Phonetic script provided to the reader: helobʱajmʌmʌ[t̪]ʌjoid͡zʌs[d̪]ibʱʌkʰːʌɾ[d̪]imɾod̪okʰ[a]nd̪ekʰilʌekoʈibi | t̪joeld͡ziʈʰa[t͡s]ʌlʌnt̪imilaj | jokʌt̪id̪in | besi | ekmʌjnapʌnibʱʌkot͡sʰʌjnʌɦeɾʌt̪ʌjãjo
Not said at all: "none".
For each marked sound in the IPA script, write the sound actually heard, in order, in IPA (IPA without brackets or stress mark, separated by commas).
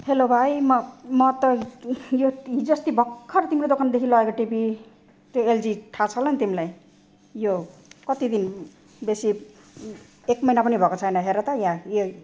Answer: t̪, t̪, t̪, a, t͡sʰ